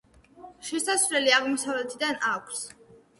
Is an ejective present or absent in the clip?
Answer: absent